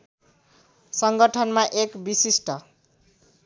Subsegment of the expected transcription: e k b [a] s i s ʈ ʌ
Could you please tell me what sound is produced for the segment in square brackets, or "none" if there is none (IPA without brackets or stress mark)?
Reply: i